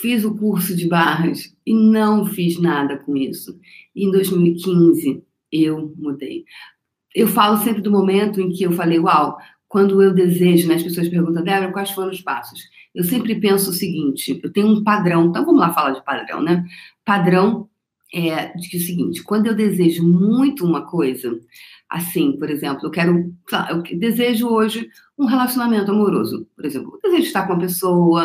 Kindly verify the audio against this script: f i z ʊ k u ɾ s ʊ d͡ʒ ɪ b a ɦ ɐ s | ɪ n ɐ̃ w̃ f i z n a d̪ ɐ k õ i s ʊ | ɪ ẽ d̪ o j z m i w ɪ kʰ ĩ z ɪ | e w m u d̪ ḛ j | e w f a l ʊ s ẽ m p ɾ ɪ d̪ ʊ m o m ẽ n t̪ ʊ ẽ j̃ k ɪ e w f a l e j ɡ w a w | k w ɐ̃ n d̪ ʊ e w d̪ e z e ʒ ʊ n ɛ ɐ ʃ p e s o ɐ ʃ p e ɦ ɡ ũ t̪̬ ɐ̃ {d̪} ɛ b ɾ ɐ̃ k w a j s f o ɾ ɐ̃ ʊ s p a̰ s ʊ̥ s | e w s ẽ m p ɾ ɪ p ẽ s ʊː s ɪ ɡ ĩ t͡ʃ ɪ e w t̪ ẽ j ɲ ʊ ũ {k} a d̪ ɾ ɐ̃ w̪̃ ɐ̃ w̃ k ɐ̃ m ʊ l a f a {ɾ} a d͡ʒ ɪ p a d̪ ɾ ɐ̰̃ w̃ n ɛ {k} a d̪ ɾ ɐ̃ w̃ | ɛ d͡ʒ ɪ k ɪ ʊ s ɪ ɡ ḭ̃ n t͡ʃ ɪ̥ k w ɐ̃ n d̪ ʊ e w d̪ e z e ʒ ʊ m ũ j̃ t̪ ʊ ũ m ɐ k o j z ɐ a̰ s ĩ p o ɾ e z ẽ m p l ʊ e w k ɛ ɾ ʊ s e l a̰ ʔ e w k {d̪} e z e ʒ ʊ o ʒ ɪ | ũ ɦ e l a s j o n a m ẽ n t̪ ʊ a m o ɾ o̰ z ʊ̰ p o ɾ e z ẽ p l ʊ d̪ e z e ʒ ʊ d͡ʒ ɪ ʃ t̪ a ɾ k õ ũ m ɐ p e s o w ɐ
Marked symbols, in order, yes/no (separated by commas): yes, no, no, no, yes